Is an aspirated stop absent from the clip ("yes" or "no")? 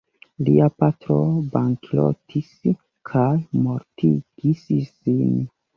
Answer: no